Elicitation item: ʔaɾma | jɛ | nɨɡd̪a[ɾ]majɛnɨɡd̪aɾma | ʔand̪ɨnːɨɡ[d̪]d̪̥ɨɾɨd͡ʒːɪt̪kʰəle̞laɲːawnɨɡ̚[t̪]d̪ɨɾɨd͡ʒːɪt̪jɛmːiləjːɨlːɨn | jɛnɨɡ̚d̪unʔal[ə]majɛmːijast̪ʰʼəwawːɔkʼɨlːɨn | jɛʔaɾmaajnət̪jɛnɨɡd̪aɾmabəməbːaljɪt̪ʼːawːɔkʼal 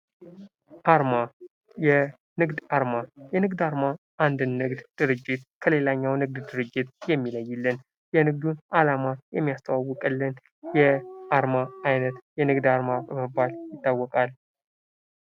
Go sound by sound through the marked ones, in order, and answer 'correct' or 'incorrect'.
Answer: correct, correct, incorrect, incorrect

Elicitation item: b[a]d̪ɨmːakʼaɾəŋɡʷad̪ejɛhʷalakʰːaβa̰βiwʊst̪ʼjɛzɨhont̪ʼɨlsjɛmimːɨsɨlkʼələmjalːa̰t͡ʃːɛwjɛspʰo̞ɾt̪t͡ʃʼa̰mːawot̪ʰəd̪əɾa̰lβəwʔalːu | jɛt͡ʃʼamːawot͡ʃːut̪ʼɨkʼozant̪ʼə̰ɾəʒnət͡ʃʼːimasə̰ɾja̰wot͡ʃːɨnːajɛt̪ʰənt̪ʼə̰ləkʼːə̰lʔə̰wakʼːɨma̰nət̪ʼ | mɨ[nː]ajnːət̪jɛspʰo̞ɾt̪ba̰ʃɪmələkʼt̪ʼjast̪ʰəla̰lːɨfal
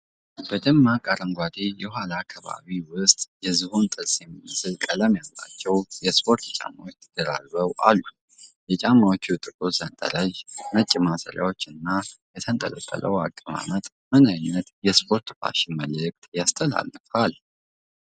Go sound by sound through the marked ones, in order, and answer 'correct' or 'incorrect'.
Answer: incorrect, incorrect

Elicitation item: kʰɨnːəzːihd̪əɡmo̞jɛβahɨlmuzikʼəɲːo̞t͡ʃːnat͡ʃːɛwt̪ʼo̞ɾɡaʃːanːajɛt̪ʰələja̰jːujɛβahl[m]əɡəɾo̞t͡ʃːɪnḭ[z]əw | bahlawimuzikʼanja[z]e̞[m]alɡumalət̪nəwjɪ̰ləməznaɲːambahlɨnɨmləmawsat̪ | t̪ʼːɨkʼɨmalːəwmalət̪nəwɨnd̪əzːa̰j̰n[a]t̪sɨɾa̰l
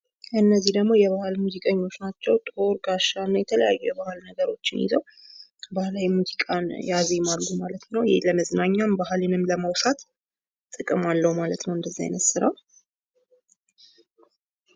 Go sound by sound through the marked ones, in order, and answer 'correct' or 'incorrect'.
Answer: incorrect, correct, correct, correct, incorrect

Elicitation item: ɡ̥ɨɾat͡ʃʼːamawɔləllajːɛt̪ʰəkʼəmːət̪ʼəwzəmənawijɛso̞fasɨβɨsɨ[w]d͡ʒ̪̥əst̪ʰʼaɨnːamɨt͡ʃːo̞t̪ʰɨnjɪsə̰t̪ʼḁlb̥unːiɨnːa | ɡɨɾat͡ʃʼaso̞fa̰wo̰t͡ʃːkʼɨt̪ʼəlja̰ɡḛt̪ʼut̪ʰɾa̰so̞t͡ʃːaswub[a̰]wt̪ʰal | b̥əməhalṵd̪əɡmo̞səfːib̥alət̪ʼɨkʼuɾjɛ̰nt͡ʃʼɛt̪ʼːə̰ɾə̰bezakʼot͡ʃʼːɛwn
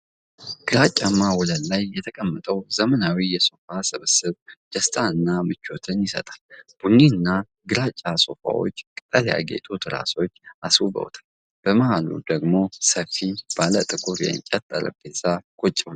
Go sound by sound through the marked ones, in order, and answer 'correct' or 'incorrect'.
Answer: incorrect, incorrect

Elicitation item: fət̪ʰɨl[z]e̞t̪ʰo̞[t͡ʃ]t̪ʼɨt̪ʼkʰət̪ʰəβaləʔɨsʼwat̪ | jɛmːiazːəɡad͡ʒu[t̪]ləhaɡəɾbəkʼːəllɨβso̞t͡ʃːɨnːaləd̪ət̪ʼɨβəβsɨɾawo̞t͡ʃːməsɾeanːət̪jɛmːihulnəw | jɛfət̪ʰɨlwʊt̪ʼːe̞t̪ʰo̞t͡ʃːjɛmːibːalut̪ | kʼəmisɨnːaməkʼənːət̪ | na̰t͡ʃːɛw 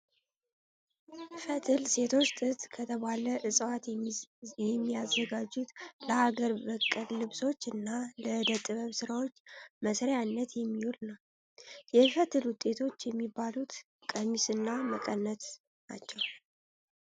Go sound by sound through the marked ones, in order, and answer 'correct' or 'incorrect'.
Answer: incorrect, correct, correct

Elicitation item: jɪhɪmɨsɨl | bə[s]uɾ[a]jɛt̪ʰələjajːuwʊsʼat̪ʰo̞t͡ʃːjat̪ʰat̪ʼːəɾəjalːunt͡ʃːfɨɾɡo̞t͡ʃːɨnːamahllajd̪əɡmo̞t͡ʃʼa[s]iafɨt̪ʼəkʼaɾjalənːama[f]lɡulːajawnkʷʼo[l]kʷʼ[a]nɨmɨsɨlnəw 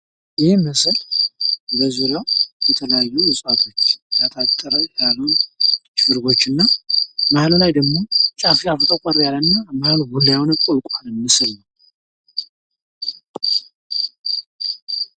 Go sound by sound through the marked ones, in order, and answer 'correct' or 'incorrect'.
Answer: incorrect, correct, incorrect, incorrect, correct, correct

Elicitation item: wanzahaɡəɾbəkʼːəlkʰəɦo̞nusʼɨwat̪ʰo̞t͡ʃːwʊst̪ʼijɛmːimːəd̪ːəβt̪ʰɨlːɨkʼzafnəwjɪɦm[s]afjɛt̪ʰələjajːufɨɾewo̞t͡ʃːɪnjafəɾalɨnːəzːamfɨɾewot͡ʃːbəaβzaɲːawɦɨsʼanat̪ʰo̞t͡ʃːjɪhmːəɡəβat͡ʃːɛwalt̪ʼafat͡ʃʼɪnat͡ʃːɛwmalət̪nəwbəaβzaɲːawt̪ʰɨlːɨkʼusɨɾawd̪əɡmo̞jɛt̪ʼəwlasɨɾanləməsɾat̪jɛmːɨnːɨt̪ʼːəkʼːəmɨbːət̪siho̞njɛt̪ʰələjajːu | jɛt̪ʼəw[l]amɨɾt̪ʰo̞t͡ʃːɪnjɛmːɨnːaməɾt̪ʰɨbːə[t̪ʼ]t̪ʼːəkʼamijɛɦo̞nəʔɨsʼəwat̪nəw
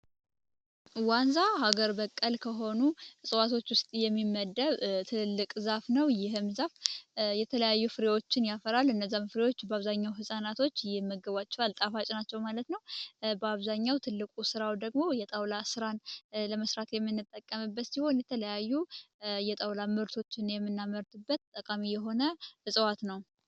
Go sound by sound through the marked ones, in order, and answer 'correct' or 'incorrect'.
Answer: incorrect, correct, incorrect

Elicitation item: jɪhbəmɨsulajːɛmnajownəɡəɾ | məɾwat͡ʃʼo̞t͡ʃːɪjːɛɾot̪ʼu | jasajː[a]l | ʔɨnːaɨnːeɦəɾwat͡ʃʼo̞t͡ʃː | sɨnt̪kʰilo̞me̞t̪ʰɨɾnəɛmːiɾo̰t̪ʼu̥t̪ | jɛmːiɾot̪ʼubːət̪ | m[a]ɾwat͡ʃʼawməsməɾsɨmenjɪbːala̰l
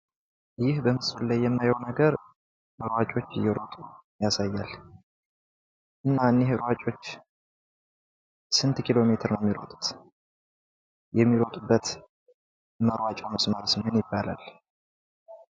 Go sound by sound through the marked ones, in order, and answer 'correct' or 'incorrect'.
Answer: correct, incorrect

